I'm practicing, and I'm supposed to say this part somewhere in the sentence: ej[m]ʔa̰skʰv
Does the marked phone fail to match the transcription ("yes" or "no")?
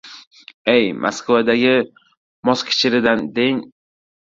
no